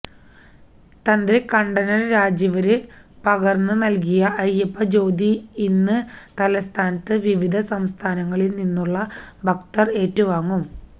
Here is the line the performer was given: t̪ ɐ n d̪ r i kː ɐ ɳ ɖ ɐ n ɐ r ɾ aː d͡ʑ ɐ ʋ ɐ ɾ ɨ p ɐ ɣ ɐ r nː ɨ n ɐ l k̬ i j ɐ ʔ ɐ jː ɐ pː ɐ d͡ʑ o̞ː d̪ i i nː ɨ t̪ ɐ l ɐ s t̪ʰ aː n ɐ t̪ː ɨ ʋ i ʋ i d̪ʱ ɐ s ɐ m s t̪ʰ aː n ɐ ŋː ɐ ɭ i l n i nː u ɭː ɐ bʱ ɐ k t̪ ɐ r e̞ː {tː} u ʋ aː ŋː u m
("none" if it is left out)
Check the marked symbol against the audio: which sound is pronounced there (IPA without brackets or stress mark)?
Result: tː